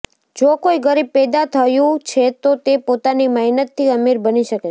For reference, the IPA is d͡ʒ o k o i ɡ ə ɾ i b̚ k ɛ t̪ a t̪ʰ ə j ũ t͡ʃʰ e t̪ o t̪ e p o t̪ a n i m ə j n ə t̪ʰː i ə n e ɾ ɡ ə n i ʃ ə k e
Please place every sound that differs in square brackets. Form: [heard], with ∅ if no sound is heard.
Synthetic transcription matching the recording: d͡ʒ o k o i ɡ ə ɾ i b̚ [p] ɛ [d̪] a t̪ʰ ə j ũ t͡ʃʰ e t̪ o t̪ e p o t̪ a n i m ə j n ə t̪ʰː i ə [m] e ɾ [b] ə n i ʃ ə k e